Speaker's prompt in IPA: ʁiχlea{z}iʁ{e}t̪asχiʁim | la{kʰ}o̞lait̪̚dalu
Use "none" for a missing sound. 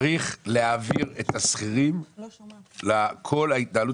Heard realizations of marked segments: v, e, kʰ

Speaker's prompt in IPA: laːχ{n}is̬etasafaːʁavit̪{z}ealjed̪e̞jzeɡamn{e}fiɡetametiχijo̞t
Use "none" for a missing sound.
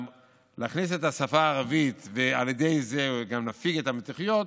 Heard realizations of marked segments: n, v, a

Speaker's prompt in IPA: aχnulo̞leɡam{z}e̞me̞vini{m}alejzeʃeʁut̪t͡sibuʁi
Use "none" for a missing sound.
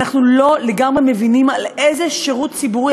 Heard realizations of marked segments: ʁ, m

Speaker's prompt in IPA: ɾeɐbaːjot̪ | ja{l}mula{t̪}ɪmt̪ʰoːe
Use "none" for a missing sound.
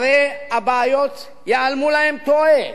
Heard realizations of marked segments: l, none

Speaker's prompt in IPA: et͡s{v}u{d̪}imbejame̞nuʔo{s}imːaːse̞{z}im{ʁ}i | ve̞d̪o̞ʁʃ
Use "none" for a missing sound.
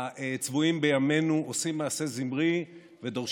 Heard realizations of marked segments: v, none, s, z, ʁ

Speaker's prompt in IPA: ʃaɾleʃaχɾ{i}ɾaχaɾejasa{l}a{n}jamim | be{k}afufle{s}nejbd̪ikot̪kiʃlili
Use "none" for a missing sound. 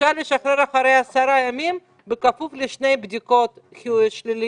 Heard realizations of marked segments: e, ɾ, none, k, ʃ

